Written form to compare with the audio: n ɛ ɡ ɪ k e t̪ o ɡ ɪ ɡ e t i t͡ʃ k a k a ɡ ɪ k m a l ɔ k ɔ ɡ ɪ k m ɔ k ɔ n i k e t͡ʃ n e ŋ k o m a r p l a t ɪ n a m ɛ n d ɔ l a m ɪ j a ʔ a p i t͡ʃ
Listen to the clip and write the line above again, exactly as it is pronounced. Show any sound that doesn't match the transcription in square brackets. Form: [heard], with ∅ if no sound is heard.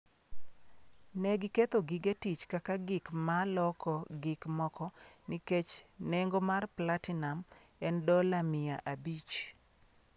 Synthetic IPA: n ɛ ɡ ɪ k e t̪ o ɡ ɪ ɡ e t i t͡ʃ k a k a ɡ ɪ k m a l ɔ k ɔ ɡ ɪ k m ɔ k ɔ n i k e t͡ʃ n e ŋ [ɡ] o m a r p l a t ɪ n a m ɛ n d ɔ l a m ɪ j a ʔ a [b] i t͡ʃ